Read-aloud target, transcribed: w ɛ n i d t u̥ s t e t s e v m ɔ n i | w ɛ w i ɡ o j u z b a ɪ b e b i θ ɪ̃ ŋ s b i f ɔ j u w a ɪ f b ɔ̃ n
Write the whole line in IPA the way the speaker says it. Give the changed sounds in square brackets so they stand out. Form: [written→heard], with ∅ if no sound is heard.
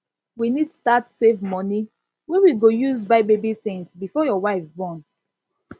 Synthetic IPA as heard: w [ɛ→i] n i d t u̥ s t [e→a] t s e v m ɔ n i | w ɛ w i ɡ o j u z b a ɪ b e b i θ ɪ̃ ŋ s b i f ɔ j [u→ɔ] w a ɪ f b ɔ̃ n